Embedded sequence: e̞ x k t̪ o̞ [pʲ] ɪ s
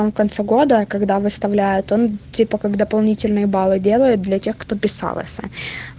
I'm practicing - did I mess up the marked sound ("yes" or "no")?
no